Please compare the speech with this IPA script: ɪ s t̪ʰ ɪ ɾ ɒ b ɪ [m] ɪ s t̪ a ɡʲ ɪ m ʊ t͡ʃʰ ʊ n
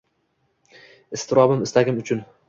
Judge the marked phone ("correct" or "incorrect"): correct